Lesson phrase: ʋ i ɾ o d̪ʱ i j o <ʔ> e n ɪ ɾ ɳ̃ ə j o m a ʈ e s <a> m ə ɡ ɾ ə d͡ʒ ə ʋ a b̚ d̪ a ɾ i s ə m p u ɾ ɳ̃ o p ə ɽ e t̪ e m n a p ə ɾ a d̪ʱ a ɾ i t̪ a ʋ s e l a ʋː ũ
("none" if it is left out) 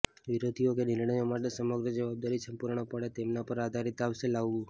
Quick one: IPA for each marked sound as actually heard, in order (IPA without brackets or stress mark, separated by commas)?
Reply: k, ə